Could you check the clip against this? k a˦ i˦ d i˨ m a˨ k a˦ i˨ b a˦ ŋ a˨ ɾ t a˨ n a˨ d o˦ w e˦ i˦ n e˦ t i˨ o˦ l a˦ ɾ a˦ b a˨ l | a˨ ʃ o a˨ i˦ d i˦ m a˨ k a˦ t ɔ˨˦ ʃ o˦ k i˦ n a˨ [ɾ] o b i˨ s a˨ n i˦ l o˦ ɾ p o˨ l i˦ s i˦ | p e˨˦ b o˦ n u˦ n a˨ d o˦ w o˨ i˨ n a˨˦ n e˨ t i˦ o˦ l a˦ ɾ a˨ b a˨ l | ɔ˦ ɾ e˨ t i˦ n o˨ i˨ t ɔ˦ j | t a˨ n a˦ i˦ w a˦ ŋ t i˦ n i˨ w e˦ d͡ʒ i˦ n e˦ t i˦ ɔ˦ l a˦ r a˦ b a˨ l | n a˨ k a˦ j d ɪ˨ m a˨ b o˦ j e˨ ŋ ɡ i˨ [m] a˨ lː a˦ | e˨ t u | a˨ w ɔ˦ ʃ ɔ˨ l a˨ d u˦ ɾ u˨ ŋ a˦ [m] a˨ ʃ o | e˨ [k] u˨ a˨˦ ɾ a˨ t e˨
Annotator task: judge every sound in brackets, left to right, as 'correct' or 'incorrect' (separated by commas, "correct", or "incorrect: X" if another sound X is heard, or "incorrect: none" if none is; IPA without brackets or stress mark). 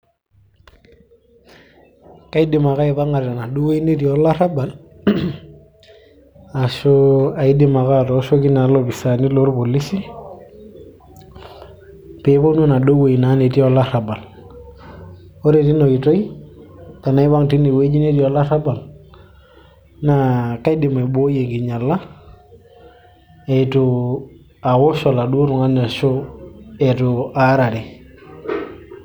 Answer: incorrect: l, incorrect: ɲ, incorrect: n, incorrect: t